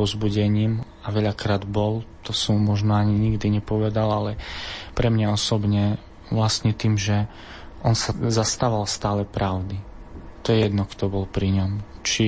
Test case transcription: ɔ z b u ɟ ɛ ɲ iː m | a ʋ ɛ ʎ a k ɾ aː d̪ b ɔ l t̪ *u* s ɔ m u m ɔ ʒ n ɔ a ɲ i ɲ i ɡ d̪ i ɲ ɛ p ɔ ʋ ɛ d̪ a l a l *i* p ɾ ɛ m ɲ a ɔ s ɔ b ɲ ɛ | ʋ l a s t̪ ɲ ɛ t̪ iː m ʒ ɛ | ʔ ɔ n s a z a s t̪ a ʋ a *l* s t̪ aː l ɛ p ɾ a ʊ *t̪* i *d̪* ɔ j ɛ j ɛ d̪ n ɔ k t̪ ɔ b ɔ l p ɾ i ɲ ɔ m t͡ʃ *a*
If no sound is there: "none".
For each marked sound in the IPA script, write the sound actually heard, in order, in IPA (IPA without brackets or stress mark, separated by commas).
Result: ɔ, ɛ, l, d̪, t̪, i